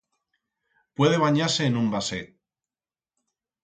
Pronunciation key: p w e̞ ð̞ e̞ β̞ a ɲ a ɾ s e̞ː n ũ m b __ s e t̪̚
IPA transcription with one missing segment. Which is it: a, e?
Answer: a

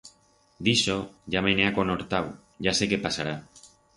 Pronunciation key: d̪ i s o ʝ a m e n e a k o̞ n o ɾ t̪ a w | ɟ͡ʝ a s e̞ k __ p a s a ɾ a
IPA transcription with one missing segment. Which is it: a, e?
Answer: e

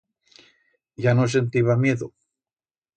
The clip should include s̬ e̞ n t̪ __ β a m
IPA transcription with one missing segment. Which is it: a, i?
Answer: i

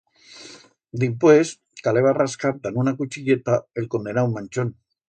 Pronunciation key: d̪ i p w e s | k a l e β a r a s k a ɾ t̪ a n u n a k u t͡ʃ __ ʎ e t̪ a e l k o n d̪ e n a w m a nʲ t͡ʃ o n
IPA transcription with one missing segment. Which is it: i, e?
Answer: i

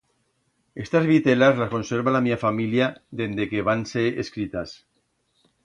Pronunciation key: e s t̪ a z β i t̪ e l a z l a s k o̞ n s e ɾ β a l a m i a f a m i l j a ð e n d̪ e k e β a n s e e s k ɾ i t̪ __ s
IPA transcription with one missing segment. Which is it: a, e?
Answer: a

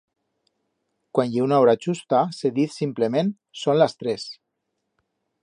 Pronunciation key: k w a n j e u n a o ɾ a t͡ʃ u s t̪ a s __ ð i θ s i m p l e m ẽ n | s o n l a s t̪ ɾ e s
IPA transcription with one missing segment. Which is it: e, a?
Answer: e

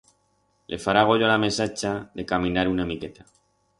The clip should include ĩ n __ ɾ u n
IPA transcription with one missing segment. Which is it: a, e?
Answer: a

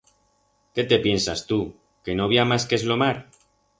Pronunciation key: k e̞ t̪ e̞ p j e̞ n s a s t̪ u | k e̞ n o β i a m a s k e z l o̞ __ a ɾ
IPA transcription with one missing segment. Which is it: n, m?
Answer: m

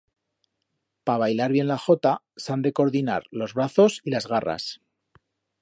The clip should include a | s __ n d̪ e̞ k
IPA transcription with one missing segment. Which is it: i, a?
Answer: a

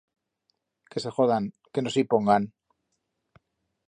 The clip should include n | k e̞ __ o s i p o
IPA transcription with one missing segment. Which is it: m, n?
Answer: n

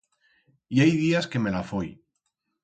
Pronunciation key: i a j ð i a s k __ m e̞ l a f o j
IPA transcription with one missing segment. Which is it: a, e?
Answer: e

